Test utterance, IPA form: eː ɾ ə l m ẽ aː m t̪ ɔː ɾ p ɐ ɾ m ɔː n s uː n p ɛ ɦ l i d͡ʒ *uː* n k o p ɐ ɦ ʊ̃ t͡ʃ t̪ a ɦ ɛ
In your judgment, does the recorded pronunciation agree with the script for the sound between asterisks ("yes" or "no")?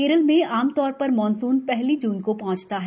yes